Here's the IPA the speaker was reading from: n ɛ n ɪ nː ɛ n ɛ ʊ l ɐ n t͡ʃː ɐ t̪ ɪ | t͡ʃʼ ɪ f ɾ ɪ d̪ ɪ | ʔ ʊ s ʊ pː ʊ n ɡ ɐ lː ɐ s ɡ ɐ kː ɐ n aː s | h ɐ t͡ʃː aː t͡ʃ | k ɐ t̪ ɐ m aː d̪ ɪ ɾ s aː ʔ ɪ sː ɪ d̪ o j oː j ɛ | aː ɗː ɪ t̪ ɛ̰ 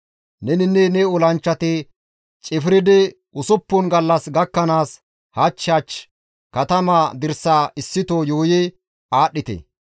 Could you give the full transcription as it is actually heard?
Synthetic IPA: n ɛ n ɪ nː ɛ n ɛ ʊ l ɐ n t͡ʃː ɐ t̪ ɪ | t͡ʃʼ ɪ f ɾ ɪ d̪ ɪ | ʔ ʊ s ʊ pː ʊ n ɡ ɐ lː ɐ s ɡ ɐ kː ɐ n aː s | h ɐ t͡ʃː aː t͡ʃ | k ɐ t̪ ɐ m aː d̪ ɪ ɾ s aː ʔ ɪ sː ɪ t̪ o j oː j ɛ | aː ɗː ɪ t̪ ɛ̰